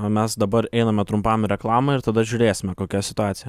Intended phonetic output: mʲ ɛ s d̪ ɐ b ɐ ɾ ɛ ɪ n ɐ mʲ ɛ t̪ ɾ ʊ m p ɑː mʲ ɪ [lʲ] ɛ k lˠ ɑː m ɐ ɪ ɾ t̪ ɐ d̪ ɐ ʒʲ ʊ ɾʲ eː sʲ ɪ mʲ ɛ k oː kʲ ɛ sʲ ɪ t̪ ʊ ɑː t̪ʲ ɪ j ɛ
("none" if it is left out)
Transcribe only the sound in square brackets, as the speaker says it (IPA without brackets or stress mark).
ɾʲ